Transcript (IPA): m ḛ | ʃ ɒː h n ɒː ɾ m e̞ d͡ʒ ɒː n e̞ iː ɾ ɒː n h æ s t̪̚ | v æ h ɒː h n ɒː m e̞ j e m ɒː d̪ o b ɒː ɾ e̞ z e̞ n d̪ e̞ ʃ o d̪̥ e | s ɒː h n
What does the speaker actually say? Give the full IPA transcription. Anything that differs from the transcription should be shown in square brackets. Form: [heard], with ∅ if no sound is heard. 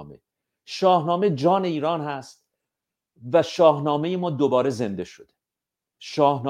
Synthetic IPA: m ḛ | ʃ ɒː h n ɒː [∅] m e̞ d͡ʒ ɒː n e̞ iː ɾ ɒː n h æ s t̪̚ | v æ [ʃ] ɒː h n ɒː m e̞ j e m ɒː d̪ o b ɒː ɾ e̞ z e̞ n d̪ e̞ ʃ o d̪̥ e | [ʃ] ɒː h n